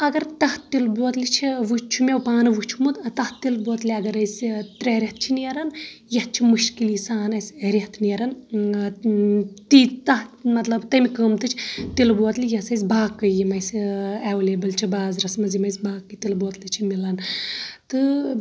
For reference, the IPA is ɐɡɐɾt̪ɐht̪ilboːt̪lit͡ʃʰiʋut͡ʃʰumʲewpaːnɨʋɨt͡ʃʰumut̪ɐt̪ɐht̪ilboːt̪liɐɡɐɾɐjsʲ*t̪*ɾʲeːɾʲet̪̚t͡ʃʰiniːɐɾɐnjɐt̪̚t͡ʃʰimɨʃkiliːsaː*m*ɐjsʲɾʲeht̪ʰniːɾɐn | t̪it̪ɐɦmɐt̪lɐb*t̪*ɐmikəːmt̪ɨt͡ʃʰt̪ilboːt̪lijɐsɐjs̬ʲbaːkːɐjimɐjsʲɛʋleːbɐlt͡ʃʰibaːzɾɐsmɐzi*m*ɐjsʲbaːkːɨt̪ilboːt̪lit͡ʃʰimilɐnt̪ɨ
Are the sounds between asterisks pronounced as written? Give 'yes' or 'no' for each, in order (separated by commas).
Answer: yes, no, yes, yes